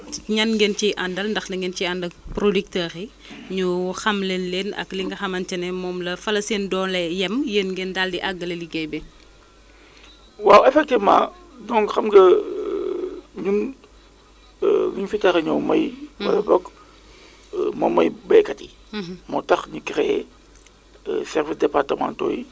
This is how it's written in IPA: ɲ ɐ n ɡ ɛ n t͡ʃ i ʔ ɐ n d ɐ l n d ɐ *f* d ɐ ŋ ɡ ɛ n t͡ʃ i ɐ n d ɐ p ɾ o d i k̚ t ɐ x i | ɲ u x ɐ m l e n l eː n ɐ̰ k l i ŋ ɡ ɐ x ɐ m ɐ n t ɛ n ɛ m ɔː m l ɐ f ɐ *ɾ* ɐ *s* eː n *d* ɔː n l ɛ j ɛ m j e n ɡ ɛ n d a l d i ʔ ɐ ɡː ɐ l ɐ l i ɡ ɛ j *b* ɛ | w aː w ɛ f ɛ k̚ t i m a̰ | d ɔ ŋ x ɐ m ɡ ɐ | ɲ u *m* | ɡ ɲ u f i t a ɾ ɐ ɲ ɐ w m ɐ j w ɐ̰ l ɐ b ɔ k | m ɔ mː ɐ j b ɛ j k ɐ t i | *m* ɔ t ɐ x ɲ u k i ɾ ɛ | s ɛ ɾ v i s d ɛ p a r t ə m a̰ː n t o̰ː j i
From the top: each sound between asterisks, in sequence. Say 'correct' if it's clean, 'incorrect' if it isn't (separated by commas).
incorrect, incorrect, correct, correct, correct, incorrect, correct